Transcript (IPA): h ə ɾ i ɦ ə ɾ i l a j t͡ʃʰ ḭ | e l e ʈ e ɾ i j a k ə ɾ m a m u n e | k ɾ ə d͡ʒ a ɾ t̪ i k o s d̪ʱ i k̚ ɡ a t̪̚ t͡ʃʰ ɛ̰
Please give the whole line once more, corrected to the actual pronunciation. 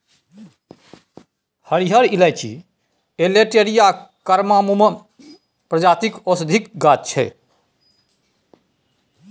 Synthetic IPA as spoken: h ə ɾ i ɦ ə ɾ i l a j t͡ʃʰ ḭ | e l e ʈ e ɾ i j a k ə ɾ m a m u m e | p ɾ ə d͡ʒ a t̪ i k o s d̪ʱ i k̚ ɡ a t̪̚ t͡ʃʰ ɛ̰